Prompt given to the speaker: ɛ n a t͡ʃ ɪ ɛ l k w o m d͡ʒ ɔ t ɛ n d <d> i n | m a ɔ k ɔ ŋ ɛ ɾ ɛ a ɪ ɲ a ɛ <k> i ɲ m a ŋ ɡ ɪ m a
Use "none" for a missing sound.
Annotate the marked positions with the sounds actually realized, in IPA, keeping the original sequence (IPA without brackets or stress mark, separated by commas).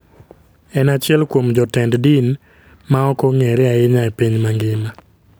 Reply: d, p